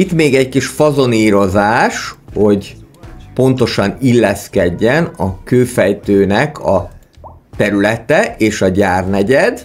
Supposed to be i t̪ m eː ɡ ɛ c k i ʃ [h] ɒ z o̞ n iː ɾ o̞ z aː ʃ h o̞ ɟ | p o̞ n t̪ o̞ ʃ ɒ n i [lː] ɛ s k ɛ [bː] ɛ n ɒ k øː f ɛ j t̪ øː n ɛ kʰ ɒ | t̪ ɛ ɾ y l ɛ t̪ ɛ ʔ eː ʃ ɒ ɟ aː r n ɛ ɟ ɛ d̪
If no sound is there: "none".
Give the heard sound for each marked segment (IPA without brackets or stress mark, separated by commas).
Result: f, lː, ɟː